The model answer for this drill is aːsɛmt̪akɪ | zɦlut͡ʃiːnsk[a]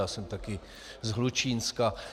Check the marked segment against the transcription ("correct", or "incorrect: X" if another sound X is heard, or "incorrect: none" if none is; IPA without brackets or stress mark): correct